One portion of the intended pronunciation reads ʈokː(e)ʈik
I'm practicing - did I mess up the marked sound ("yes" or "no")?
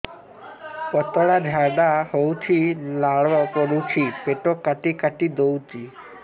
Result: yes